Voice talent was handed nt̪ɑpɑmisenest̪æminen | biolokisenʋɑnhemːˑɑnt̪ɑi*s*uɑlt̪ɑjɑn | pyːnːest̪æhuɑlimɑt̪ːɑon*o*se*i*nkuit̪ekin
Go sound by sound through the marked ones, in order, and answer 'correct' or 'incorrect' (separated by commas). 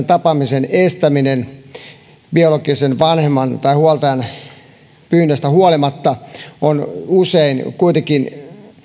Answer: incorrect, incorrect, correct